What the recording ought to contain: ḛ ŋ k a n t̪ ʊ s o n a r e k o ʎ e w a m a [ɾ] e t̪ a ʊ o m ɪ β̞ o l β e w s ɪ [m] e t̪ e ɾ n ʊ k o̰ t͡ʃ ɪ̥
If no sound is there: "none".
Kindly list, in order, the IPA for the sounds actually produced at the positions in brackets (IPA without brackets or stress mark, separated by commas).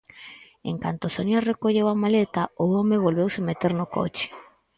l, m